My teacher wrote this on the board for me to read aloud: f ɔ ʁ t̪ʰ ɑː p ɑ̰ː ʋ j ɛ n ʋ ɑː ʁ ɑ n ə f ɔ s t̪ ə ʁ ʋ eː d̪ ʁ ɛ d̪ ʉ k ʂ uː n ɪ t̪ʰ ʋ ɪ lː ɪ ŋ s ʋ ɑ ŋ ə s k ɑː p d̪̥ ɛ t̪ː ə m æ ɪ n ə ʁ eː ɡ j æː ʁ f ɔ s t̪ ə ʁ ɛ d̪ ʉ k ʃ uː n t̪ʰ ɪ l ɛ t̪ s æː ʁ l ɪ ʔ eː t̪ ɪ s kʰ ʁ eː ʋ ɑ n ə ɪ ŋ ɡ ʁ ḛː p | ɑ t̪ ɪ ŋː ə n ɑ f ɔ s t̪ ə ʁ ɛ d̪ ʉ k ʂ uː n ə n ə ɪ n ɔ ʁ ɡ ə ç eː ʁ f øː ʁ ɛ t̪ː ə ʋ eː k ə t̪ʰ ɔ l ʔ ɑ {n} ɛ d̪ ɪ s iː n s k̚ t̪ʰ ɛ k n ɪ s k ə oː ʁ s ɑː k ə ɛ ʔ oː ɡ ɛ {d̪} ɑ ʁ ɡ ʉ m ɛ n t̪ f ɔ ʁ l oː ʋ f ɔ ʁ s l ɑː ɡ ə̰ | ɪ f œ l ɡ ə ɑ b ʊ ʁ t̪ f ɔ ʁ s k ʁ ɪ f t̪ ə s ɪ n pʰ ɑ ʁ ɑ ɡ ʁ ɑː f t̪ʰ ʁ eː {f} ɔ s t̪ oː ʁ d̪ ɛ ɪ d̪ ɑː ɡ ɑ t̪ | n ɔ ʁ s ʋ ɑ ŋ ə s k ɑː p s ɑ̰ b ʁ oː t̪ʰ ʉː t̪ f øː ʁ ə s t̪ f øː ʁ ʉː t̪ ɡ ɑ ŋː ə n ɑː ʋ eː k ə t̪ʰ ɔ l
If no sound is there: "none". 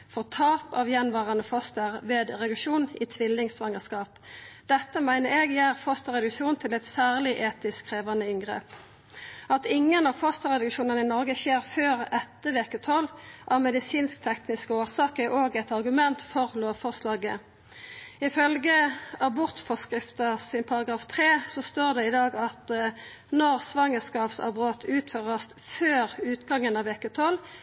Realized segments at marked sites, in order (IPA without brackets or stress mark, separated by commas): m, t̪, s